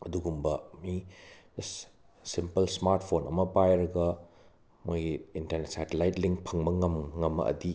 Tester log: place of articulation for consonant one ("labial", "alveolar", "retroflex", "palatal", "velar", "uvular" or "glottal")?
alveolar